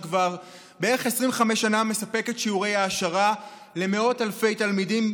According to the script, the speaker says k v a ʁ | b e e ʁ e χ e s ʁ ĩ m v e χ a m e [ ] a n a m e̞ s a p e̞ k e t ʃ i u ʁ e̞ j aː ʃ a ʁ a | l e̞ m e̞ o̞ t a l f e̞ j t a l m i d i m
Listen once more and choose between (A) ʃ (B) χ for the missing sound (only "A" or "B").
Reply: A